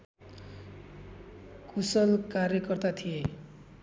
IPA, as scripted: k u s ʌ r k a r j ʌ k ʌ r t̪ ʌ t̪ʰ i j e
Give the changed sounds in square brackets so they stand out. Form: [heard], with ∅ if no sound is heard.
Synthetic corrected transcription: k u s ʌ [l] k a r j ʌ k ʌ r t̪ [a] t̪ʰ i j e